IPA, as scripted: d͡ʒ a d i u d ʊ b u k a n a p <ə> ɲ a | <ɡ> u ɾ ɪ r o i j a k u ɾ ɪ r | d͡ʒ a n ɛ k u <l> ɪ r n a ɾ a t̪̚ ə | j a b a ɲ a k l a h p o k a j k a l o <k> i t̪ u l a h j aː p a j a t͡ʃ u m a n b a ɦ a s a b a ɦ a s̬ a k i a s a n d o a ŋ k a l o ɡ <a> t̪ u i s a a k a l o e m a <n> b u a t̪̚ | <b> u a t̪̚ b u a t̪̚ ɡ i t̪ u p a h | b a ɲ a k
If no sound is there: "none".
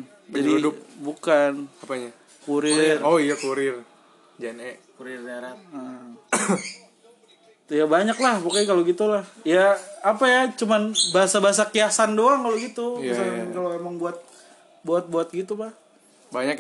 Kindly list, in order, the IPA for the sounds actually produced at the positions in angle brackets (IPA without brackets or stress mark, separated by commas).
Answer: a, k, ɾ, ɡ, i, ŋ, b